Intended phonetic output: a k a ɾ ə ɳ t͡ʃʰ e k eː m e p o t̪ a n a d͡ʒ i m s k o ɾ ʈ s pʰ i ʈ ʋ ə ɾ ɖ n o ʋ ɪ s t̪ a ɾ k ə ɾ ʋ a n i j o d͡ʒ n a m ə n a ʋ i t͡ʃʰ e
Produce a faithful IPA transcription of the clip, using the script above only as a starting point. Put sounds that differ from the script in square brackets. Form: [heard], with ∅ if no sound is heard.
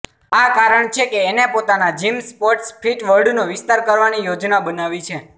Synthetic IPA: a k a ɾ ə ɳ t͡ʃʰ e k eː [n] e p o t̪ a n a d͡ʒ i m s [p] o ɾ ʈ s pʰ i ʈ ʋ ə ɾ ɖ n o ʋ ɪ s t̪ a ɾ k ə ɾ ʋ a n i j o d͡ʒ n a [b] ə n a ʋ i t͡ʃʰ e